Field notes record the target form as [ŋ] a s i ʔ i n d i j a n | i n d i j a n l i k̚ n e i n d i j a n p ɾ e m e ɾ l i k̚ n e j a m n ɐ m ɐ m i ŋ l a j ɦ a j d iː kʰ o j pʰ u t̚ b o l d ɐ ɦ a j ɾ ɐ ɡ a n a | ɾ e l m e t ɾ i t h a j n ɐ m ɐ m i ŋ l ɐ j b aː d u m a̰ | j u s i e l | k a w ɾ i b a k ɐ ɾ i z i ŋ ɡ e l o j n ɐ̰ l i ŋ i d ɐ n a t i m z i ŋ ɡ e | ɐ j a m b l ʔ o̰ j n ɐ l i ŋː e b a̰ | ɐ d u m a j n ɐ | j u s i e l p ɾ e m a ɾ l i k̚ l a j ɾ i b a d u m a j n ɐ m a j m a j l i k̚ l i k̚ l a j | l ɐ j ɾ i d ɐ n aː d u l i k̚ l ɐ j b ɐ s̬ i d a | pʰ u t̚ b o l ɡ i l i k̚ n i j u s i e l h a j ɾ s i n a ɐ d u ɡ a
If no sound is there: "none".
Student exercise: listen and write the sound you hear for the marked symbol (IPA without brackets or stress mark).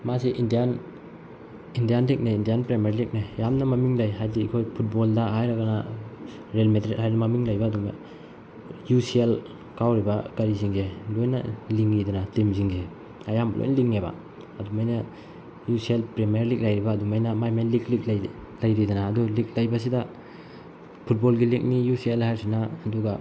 m